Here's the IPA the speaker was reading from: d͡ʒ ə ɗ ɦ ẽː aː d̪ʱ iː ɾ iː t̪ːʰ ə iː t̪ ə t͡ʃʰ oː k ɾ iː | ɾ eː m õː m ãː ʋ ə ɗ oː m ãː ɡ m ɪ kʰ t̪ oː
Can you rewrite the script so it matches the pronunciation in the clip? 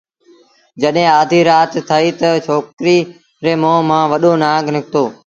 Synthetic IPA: d͡ʒ ə ɗ ɦ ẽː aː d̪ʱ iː ɾ aː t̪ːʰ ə iː t̪ ə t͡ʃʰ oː k ɾ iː | ɾ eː m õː m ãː ʋ ə ɗ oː n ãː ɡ n ɪ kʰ t̪ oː